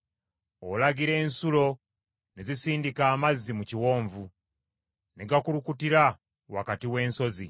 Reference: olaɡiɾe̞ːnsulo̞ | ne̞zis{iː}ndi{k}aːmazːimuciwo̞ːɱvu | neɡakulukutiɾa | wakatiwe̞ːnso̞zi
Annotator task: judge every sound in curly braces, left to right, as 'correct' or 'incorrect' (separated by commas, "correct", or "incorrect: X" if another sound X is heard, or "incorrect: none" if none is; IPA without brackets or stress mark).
correct, correct